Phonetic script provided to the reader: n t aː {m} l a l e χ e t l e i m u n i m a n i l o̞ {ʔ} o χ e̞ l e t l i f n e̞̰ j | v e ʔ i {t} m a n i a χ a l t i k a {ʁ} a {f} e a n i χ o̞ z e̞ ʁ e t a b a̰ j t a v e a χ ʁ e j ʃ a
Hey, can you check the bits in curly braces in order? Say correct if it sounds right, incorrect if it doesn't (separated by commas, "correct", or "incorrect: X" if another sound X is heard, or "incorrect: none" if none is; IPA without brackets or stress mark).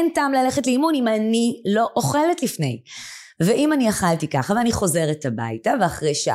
correct, correct, incorrect: none, incorrect: χ, incorrect: v